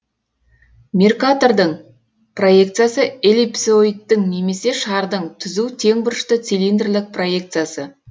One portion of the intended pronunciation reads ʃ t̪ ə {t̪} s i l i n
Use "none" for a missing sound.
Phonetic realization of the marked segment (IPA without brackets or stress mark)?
t̪